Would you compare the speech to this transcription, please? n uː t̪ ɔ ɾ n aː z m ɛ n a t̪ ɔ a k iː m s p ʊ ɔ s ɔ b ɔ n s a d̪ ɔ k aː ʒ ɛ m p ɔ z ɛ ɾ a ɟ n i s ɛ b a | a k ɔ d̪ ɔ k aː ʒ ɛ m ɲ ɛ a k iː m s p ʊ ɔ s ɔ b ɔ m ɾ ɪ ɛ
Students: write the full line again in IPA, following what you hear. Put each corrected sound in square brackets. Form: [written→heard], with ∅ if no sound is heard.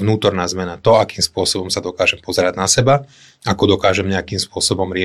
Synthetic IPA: n uː t̪ ɔ ɾ n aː z m ɛ n a t̪ ɔ a k iː m s p ʊ ɔ s ɔ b ɔ [n→m] s a d̪ ɔ k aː ʒ ɛ m p ɔ z ɛ ɾ a ɟ n [i→a] s ɛ b a | a k ɔ d̪ ɔ k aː ʒ ɛ m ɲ ɛ a k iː m s p ʊ ɔ s ɔ b ɔ m ɾ ɪ ɛ